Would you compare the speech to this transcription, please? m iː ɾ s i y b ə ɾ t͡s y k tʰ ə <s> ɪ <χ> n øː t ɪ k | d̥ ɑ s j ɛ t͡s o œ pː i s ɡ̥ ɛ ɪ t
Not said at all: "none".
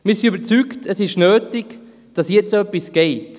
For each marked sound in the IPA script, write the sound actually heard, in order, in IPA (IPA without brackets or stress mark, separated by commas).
s, ʃ